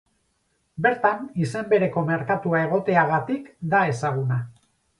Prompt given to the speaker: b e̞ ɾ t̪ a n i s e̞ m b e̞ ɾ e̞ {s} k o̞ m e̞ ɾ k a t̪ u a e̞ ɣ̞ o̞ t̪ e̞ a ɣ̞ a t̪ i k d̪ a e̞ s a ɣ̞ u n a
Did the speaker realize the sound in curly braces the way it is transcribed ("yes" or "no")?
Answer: no